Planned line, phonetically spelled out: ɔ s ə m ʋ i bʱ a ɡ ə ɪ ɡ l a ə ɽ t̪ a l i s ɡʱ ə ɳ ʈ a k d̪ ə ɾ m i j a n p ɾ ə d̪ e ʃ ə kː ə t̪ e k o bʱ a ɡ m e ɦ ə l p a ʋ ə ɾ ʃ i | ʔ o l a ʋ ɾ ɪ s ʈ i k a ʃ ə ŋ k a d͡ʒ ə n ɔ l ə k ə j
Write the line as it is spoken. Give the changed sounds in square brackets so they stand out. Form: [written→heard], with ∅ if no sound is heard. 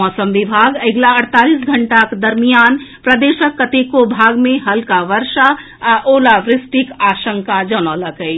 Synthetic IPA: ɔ s ə m ʋ i bʱ a ɡ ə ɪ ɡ l a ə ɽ t̪ a l i s ɡʱ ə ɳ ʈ a k d̪ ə ɾ m i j a n p ɾ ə d̪ e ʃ ə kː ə t̪ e k o bʱ a ɡ m e ɦ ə l [p→k] a ʋ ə ɾ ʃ [i→a] | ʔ o l a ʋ ɾ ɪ s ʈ i k a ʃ ə ŋ k a d͡ʒ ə n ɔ l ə k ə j

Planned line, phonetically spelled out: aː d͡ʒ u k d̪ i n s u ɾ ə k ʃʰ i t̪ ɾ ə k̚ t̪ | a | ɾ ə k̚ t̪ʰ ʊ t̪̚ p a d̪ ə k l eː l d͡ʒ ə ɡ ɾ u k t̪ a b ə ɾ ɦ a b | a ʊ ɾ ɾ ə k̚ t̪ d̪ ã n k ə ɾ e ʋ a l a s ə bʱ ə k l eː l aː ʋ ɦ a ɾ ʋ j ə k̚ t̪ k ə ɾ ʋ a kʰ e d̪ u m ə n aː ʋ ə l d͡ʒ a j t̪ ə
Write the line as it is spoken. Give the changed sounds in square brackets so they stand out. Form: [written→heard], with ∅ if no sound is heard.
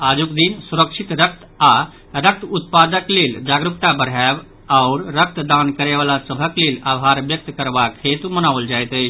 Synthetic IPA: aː d͡ʒ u k d̪ i n s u ɾ ə k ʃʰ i t̪ ɾ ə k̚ t̪ | a | ɾ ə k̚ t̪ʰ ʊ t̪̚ p a d̪ ə k l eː l d͡ʒ [ə→a] ɡ ɾ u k t̪ a b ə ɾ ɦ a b | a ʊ ɾ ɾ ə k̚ t̪ d̪ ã n k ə ɾ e ʋ a l a s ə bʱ ə k l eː l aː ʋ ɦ a ɾ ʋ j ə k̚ t̪ k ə ɾ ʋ a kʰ e [d̪→t̪] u m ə n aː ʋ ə l d͡ʒ a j t̪ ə

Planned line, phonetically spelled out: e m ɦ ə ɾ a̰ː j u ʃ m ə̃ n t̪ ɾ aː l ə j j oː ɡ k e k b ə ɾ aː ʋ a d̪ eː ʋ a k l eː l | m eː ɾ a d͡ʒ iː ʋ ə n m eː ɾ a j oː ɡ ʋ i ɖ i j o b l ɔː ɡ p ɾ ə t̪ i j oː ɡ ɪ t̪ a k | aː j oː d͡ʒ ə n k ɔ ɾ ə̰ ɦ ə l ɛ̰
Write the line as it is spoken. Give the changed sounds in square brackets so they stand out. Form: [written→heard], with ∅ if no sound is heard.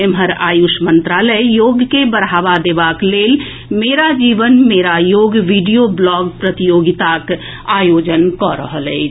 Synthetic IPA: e m ɦ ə ɾ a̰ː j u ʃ m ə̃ n t̪ ɾ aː l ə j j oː ɡ k e [k→∅] b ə ɾ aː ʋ a d̪ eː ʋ a k l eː l | m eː ɾ a d͡ʒ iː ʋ ə n m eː ɾ a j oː ɡ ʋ i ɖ i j o b l ɔː ɡ p ɾ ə t̪ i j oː ɡ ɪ t̪ a k | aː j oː d͡ʒ ə n k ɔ ɾ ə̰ ɦ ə l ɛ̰

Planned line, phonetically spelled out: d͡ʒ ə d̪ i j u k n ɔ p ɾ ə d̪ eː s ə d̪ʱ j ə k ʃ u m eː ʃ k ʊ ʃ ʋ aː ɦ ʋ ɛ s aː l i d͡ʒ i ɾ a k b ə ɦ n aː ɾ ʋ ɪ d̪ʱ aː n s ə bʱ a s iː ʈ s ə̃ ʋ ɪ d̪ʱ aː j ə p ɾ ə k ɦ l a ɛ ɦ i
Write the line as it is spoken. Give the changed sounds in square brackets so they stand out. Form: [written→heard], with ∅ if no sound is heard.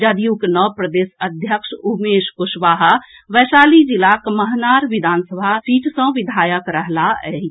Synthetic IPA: d͡ʒ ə d̪ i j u k n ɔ p ɾ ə d̪ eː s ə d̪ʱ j ə k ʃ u m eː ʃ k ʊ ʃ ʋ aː ɦ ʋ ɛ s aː l i d͡ʒ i [ɾ→l] a k [b→m] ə ɦ n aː ɾ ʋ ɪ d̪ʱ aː n s ə bʱ a s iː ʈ s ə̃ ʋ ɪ d̪ʱ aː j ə [p→k] ɾ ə [k→∅] ɦ l a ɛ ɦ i

